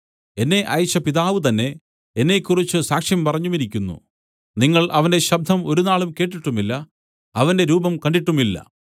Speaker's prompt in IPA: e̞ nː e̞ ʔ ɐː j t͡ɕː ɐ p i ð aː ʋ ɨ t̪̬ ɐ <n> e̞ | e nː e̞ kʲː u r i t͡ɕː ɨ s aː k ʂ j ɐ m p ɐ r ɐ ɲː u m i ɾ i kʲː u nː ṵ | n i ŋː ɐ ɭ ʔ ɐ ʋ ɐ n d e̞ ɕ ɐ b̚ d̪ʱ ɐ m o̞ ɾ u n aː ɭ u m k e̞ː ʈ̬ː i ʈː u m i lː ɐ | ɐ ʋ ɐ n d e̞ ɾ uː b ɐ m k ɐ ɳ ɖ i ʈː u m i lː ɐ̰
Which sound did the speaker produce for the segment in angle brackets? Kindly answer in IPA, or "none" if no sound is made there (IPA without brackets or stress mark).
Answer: nː